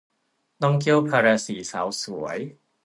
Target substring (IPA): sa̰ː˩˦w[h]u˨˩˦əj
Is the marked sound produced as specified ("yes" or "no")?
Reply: no